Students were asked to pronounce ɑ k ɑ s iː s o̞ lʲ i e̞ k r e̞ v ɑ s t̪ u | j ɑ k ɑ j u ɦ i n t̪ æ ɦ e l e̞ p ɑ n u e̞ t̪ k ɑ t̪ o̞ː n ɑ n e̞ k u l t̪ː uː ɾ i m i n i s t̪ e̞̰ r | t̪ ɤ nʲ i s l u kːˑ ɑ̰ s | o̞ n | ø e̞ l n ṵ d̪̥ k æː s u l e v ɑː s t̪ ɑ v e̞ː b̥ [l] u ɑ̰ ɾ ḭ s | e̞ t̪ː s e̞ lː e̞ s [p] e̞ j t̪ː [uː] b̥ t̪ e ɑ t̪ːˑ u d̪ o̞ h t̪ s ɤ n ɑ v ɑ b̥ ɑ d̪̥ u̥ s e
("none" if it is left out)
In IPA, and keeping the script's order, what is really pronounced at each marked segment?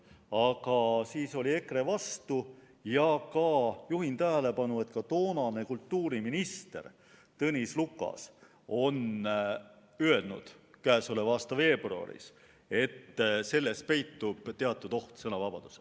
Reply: r, p, u

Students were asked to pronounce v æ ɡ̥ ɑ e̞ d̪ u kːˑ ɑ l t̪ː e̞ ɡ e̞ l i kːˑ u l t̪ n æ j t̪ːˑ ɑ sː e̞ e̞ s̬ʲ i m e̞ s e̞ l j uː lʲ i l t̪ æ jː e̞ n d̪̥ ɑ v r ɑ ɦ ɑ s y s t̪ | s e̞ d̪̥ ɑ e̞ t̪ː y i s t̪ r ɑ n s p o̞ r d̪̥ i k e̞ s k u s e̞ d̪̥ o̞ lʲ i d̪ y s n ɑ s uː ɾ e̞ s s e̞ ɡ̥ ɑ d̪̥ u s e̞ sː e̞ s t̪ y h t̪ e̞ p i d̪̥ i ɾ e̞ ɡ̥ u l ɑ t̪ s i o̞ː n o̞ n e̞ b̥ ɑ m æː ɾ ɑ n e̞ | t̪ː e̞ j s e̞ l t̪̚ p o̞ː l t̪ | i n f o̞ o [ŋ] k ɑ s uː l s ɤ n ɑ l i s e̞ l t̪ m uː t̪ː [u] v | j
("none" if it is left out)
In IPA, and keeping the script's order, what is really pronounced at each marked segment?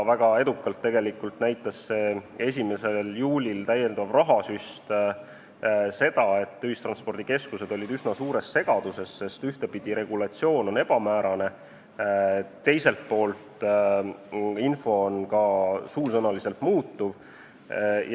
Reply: n, u

